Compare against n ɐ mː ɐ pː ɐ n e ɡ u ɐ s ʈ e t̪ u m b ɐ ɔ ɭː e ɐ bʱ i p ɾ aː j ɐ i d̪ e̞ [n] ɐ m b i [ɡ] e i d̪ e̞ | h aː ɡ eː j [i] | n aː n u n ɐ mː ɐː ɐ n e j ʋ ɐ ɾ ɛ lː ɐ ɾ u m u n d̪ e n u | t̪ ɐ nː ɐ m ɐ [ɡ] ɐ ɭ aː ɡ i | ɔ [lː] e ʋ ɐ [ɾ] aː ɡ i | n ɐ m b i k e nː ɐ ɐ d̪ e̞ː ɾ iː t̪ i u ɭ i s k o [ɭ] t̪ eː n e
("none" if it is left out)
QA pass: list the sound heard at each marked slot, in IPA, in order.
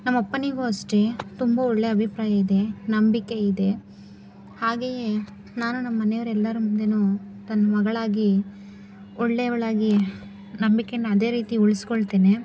n, k, e, ɡ, ɭː, ɭ, ɭ

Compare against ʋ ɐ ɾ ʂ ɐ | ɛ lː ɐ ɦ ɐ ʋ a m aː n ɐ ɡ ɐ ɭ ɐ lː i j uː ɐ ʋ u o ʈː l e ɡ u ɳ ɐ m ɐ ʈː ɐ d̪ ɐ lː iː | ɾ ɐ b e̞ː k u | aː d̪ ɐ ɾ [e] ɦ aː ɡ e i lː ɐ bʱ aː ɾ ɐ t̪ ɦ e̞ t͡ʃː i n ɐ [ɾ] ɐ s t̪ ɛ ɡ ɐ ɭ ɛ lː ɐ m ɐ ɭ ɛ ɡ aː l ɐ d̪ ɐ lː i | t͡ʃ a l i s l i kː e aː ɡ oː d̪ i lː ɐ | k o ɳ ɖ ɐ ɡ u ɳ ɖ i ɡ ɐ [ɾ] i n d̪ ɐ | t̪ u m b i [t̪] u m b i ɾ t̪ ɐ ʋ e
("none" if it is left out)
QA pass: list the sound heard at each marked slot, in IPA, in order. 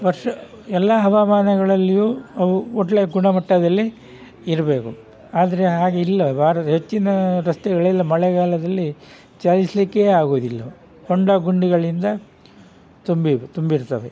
e, ɾ, ɭ, t̪

